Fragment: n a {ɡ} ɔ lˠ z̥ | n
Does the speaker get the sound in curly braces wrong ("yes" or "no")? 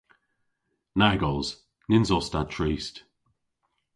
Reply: no